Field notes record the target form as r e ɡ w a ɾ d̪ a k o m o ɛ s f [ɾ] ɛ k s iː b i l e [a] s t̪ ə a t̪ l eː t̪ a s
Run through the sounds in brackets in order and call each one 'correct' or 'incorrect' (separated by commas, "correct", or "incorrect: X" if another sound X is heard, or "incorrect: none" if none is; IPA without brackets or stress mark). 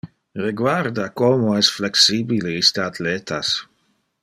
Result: incorrect: l, incorrect: i